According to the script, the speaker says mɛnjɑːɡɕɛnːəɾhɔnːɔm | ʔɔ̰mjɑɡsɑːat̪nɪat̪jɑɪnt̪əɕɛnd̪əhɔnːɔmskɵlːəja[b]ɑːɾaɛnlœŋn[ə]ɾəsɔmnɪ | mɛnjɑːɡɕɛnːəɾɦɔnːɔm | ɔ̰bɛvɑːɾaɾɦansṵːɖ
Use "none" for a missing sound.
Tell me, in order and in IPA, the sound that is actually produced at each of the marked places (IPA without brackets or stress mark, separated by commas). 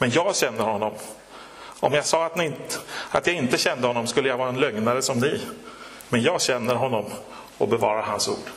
v, a